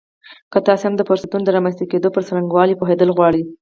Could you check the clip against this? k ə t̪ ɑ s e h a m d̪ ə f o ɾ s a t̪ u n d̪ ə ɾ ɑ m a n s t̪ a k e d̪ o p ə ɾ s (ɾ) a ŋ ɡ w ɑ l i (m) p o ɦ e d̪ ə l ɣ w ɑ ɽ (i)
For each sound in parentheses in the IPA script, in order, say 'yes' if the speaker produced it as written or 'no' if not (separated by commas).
yes, no, yes